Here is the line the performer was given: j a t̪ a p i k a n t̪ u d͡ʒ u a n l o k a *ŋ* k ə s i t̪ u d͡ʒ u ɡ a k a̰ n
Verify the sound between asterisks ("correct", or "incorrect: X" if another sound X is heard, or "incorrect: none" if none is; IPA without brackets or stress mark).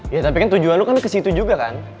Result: incorrect: n